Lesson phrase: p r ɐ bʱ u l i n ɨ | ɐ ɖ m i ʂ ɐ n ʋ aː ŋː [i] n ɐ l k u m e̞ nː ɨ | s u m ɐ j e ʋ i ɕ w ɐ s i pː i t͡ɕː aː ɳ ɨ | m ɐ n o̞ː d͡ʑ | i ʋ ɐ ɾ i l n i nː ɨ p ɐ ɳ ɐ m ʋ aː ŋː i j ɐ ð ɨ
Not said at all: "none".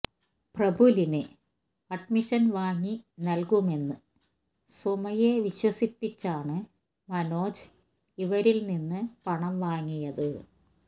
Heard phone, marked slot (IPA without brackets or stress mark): i